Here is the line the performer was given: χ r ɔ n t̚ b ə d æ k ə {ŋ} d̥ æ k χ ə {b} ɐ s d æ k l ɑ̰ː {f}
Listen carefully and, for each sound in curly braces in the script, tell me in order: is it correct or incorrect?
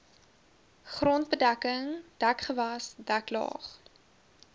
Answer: correct, incorrect, incorrect

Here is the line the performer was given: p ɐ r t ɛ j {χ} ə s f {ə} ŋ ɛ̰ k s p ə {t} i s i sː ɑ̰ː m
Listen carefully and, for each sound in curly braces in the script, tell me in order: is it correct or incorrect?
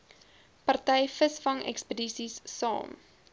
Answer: incorrect, incorrect, incorrect

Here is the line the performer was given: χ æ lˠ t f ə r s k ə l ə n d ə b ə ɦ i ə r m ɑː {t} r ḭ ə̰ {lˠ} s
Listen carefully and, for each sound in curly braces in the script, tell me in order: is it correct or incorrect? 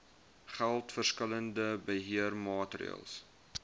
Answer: correct, correct

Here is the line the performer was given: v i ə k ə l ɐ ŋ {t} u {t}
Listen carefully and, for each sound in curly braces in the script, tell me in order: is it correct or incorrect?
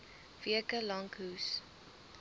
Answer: incorrect, incorrect

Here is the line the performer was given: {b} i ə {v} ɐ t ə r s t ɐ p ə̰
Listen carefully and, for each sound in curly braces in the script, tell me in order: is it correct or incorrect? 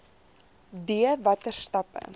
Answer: incorrect, correct

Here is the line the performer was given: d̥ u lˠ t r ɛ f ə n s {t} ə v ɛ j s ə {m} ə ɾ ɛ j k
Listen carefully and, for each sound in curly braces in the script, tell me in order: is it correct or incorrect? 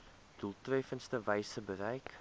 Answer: correct, incorrect

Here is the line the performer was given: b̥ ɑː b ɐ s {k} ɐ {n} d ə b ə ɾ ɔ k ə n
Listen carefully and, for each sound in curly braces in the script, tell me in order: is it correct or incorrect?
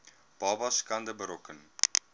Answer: correct, correct

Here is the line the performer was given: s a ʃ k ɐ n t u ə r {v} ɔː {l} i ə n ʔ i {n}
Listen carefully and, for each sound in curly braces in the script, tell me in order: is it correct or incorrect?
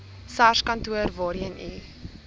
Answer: correct, incorrect, incorrect

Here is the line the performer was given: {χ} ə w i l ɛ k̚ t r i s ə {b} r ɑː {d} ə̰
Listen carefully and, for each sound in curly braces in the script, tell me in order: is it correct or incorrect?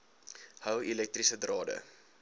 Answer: incorrect, incorrect, correct

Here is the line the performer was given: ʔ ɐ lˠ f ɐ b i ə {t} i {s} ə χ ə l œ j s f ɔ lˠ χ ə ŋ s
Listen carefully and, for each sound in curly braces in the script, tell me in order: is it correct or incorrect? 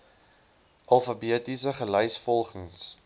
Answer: correct, correct

